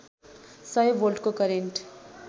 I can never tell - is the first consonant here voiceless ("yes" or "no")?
yes